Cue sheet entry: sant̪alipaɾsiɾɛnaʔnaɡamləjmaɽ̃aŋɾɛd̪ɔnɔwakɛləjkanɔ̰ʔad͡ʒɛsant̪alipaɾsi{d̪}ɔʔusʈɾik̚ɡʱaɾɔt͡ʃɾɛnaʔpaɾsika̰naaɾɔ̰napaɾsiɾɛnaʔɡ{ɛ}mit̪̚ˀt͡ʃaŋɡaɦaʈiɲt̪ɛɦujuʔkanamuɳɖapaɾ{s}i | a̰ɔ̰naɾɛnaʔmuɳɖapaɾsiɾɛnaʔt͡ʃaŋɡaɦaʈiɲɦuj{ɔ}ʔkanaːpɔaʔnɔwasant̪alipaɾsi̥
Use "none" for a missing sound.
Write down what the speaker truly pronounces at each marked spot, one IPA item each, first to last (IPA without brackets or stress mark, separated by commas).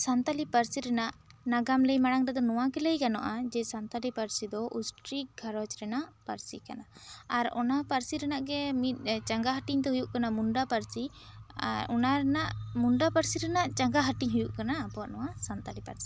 d̪, ɛ, s, u